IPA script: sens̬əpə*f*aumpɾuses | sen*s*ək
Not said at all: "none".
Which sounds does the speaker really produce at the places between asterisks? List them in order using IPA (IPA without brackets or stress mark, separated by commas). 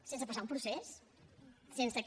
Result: s, s